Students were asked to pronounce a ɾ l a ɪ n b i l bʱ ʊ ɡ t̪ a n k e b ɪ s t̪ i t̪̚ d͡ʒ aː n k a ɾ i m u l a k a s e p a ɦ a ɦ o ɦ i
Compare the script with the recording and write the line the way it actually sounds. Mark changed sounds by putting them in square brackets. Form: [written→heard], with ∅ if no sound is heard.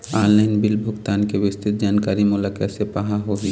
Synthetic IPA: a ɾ l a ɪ n b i l bʱ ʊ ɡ t̪ a n k e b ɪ s t̪ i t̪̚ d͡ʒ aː n k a ɾ i m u l a k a s e p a ɦ a ɦ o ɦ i